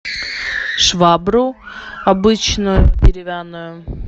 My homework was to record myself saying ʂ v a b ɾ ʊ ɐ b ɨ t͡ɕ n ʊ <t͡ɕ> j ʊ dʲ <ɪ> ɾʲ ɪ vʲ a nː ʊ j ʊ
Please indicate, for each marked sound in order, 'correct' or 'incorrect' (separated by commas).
incorrect, correct